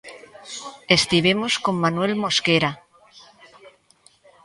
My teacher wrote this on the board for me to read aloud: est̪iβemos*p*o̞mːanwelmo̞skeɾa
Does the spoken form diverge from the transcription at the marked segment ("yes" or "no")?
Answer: yes